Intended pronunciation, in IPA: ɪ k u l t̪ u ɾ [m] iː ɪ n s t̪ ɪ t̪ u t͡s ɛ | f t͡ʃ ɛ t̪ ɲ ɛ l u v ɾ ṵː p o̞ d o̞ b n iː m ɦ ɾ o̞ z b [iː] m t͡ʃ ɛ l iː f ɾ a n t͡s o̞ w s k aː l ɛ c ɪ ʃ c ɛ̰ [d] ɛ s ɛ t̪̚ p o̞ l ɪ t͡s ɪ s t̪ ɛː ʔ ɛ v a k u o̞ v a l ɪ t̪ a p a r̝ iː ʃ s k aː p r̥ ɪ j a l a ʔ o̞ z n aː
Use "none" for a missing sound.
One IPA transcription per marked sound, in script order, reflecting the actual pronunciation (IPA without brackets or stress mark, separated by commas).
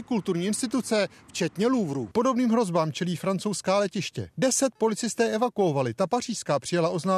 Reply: ɲ, aː, d